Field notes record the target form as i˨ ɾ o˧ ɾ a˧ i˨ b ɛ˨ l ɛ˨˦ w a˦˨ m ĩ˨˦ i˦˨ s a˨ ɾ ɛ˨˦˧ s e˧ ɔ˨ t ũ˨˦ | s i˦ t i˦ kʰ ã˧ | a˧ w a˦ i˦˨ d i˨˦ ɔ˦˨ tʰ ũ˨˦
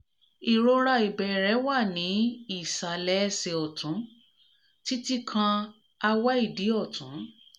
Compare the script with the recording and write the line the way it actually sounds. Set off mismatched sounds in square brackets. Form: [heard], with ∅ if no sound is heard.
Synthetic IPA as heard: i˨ ɾ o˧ ɾ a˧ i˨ b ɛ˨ [ɾ] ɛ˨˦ w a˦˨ [n] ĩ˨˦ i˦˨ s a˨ [l] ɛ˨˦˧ s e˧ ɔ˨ t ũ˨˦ | [t] i˦ t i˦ kʰ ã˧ | a˧ w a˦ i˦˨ d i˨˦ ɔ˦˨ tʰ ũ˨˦